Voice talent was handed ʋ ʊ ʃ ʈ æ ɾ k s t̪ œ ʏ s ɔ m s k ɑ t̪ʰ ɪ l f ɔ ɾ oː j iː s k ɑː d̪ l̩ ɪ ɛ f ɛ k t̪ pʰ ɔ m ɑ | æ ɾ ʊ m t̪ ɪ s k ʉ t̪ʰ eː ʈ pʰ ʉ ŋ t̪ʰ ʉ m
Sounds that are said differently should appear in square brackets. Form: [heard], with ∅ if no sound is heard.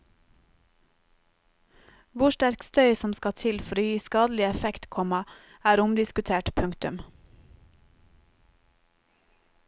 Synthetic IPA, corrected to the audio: ʋ ʊ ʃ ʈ æ ɾ k s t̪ œ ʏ s ɔ m s k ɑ t̪ʰ ɪ l f ɔ ɾ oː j iː s k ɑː d̪ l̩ ɪ ɛ f ɛ k t̪ [kʰ] ɔ m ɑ | [æː] ɾ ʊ m [d̪] ɪ s k ʉ t̪ʰ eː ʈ pʰ ʉ ŋ [t̪] ʉ m

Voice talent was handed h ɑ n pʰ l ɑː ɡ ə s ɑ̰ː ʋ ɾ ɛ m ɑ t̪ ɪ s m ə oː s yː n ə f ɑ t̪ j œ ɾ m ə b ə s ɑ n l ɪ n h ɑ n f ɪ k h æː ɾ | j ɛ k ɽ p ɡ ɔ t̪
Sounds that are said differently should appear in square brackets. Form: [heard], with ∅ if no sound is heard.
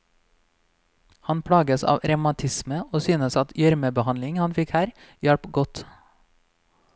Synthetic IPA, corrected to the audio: h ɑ n pʰ [ɽ] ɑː ɡ ə s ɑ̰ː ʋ ɾ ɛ m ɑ [t̪ʰ] ɪ s m ə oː s yː n ə [s] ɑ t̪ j œ ɾ m ə b ə [h] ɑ n l ɪ [ŋ] h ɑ n f ɪ k h æː ɾ | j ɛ [∅] ɽ p ɡ ɔ t̪

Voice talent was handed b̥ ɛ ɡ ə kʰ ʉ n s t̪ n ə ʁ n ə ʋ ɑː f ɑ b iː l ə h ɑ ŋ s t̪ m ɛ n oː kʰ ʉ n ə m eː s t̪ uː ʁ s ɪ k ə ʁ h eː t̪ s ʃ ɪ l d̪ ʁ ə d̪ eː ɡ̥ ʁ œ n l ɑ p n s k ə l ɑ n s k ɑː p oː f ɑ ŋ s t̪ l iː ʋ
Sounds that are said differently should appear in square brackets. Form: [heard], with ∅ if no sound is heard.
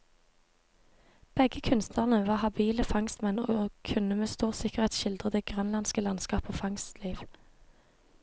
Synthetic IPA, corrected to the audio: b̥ ɛ ɡ ə kʰ ʉ n s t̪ n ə ʁ n ə ʋ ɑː [h] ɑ b iː l ə [f] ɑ ŋ s t̪ m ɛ n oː kʰ ʉ n ə m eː s t̪ uː ʁ s ɪ k ə ʁ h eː t̪ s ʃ ɪ l d̪ ʁ ə d̪ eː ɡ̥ ʁ œ n l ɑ [∅] n s k ə l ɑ n s k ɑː p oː f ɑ ŋ s t̪ l iː ʋ

